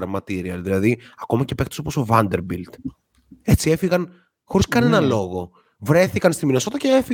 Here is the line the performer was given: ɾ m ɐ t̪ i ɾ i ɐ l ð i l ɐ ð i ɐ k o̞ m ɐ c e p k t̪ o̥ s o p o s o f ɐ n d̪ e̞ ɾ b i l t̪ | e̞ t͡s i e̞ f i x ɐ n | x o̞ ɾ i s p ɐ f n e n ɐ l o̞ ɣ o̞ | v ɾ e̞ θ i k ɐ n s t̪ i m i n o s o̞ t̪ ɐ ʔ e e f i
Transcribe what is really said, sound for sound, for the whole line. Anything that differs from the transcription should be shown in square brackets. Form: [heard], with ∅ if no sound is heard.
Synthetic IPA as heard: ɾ m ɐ t̪ i ɾ i ɐ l ð i l ɐ ð i ɐ k o̞ m ɐ c e p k t̪ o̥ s o p o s o [v] ɐ n d̪ e̞ ɾ b i l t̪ | e̞ t͡s i e̞ f i [ɣ] ɐ n | x o̞ ɾ i s [k] ɐ [∅] n e n ɐ l o̞ ɣ o̞ | v ɾ e̞ θ i k ɐ n s t̪ i m i n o s o̞ t̪ ɐ [c] e e f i